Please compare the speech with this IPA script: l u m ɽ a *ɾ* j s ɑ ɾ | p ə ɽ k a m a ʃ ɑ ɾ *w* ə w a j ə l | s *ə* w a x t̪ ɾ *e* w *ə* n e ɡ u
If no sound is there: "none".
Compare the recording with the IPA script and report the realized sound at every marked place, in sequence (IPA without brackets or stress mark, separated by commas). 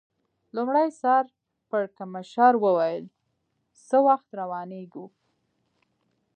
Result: none, w, ə, a, ɑ